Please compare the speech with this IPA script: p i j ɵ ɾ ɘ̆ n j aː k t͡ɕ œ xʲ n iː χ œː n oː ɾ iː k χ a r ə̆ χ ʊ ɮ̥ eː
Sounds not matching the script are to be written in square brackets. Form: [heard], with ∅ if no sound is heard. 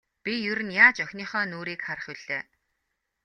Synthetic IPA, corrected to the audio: p i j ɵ ɾ ɘ̆ n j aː [∅] t͡ɕ œ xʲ n iː χ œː n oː ɾ iː k χ a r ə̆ χ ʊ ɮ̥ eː